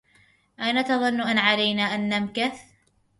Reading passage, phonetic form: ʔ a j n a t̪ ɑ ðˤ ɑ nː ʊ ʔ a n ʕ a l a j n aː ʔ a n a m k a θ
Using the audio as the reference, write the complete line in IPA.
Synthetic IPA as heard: ʔ a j n a t̪ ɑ ðˤ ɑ nː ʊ ʔ a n ʕ a l a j n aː ʔ a nː a m k a θ